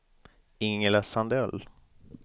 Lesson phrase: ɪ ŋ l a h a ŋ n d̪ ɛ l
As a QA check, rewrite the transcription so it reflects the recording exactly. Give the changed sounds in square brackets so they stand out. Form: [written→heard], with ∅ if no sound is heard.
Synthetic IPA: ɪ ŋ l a [h→s] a [ŋ→∅] n d̪ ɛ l